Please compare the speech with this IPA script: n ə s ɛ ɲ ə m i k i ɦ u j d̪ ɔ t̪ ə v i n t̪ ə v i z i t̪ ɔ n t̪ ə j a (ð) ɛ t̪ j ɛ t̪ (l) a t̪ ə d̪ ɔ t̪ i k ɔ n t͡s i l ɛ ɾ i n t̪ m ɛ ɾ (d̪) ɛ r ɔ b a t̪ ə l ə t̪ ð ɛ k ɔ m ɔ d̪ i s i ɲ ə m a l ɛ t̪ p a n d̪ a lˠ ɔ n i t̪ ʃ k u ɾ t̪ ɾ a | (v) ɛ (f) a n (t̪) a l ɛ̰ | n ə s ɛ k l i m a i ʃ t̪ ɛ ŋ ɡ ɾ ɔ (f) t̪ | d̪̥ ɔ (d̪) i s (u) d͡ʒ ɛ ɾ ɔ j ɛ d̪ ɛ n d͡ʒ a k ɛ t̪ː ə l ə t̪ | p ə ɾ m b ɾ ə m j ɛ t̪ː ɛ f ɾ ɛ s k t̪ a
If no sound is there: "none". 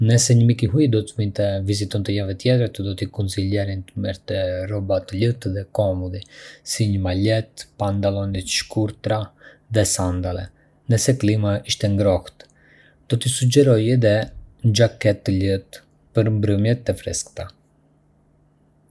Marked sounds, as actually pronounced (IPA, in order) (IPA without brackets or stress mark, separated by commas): v, ɾ, t̪, ð, s, d̪, h, t̪, u